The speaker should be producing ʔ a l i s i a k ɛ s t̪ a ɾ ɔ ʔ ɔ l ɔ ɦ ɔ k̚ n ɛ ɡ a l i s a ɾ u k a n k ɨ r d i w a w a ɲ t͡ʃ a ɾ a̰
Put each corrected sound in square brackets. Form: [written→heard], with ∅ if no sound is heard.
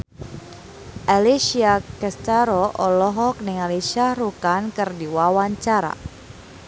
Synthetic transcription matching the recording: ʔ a l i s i a k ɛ s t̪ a ɾ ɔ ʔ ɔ l ɔ ɦ ɔ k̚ n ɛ [ɡ→ŋ] a l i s a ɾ u k a n k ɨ r d i w a w a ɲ t͡ʃ a ɾ a̰